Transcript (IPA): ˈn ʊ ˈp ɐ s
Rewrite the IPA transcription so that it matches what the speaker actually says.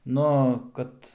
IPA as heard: ˈn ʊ ˈk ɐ t